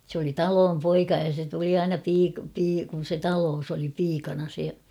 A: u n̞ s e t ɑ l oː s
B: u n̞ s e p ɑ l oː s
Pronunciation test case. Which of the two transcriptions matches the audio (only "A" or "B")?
A